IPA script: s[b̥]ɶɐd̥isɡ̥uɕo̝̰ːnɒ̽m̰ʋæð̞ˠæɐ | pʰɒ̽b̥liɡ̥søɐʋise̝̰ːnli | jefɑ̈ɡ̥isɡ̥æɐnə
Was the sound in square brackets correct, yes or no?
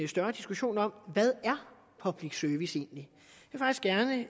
no